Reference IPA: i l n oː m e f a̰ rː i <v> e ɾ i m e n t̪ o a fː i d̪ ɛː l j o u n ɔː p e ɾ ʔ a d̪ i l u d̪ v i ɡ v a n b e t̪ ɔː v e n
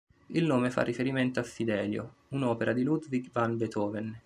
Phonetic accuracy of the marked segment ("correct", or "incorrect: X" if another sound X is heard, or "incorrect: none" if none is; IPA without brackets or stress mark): incorrect: f